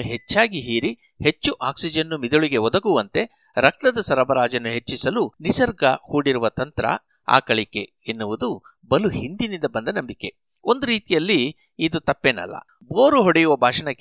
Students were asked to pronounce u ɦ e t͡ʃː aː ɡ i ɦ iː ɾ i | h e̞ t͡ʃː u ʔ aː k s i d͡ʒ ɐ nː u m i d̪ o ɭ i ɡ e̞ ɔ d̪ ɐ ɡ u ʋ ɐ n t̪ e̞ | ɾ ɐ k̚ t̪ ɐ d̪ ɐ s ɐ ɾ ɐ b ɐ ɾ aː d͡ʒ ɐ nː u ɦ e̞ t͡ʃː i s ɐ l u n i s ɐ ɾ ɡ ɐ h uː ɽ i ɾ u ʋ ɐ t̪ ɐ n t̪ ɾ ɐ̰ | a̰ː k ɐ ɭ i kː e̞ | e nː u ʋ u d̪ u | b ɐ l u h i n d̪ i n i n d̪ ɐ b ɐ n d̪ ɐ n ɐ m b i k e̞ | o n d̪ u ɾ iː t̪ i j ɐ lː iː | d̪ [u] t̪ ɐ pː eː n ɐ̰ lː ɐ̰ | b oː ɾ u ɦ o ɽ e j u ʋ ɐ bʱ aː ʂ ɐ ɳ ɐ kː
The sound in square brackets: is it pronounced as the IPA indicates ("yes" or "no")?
yes